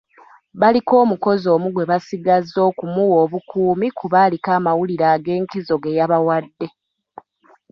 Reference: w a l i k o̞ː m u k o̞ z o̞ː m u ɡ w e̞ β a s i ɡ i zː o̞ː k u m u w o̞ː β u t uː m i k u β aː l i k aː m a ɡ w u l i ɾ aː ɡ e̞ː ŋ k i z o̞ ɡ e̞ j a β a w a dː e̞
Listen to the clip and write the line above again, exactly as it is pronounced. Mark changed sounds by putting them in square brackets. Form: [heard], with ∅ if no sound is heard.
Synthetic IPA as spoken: [β] a l i k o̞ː m u k o̞ z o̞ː m u ɡ w e̞ β a s i ɡ [a] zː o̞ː k u m u w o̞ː β u [k] uː m i k u β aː l i k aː m a [∅] w u l i ɾ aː ɡ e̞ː ŋ k i z o̞ ɡ e̞ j a β a w a dː e̞